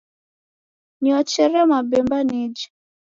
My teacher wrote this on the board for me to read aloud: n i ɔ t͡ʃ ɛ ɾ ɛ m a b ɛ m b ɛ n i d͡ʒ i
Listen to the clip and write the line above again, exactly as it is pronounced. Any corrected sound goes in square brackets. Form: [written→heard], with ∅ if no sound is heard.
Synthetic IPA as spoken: n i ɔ t͡ʃ ɛ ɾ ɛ m a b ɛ m b [ɛ→a] n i d͡ʒ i